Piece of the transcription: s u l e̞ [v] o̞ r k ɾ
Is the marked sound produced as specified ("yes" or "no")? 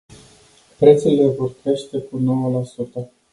yes